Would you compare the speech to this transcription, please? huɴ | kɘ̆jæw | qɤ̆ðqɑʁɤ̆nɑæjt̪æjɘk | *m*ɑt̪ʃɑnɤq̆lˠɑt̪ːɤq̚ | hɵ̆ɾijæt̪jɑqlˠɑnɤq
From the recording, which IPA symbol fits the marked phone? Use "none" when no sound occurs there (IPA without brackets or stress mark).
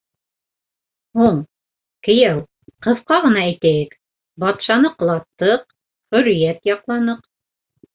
b